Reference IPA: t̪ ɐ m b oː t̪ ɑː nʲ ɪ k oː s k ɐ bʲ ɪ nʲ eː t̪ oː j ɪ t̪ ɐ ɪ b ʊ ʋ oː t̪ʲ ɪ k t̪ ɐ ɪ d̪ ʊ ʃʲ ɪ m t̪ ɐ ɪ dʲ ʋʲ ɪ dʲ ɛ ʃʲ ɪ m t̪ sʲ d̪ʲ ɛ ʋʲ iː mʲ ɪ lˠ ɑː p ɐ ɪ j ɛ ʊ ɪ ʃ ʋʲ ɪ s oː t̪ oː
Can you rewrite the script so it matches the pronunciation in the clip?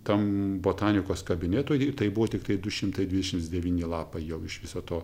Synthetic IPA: t̪ ɐ m b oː t̪ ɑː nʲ ɪ k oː s k ɐ bʲ ɪ nʲ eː t̪ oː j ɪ t̪ ɐ ɪ b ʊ ʋ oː t̪ʲ ɪ k t̪ ɐ ɪ d̪ ʊ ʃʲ ɪ m t̪ ɐ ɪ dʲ ʋʲ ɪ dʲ ɛ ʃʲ ɪ m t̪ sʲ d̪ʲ ɛ ʋʲ iː nʲ ɪ lˠ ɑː p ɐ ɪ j ɛ ʊ ɪ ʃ ʋʲ ɪ s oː t̪ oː